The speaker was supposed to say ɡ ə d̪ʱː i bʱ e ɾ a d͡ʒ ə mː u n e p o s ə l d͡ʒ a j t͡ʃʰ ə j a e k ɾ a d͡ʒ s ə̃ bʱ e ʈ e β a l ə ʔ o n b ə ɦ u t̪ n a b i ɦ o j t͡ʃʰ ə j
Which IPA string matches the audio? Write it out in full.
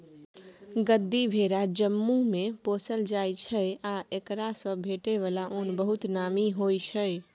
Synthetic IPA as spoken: ɡ ə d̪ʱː i bʱ e ɾ a d͡ʒ ə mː u m e p o s ə l d͡ʒ a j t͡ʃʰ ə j a e k ɾ a s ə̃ bʱ e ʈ e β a l a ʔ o n b ə ɦ u t̪ n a m i ɦ o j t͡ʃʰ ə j